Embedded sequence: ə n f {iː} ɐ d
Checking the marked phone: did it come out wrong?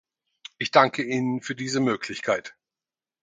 yes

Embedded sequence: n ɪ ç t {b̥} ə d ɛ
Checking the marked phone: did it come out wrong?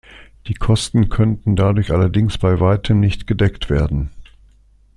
yes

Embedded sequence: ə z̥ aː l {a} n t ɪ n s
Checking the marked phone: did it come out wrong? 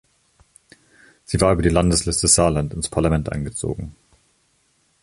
no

